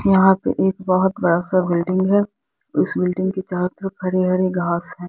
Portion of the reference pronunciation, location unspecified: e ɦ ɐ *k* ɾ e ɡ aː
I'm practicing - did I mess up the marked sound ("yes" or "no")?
yes